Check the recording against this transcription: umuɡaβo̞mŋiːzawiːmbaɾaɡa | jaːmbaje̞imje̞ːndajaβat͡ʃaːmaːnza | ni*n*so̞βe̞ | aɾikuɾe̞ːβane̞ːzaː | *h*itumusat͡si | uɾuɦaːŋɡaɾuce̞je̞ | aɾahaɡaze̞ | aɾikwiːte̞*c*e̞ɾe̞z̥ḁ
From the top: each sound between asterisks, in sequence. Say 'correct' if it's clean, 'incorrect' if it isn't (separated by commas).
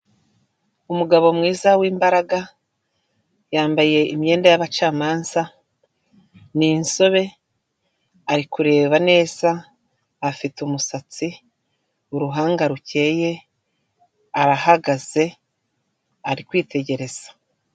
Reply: correct, incorrect, incorrect